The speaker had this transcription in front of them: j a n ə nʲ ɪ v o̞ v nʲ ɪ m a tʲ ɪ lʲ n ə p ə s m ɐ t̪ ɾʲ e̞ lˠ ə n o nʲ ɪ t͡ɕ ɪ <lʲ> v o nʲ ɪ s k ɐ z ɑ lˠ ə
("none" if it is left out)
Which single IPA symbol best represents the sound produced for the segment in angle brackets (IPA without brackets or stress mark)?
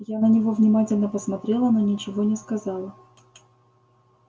none